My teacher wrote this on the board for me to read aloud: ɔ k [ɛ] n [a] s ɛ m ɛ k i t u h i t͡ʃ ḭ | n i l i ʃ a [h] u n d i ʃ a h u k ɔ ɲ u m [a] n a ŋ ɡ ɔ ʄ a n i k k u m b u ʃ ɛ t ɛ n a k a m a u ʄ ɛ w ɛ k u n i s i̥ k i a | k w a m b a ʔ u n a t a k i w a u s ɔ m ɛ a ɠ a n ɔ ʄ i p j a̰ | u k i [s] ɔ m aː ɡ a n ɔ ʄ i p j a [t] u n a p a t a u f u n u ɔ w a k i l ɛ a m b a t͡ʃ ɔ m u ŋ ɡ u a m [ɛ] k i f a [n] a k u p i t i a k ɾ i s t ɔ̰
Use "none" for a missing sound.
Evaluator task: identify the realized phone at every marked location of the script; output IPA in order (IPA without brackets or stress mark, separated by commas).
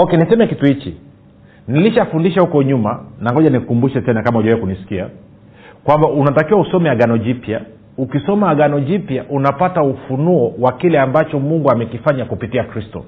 ɛ, i, f, a, s, ʔ, ɛ, ɲ